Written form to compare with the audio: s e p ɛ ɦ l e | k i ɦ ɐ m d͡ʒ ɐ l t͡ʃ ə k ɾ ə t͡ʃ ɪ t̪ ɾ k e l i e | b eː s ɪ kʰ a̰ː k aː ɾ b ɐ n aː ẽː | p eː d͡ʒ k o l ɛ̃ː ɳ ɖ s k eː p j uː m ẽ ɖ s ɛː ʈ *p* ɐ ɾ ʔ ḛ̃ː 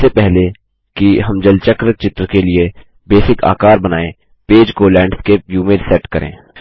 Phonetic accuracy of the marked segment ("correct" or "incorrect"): incorrect